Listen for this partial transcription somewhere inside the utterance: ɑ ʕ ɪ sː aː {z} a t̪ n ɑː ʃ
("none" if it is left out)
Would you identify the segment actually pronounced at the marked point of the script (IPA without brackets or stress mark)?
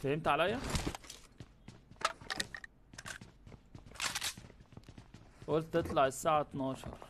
ʕ